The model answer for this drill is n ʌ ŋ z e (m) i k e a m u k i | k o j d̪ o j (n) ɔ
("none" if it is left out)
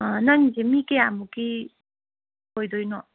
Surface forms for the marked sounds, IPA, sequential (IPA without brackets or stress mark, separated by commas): m, n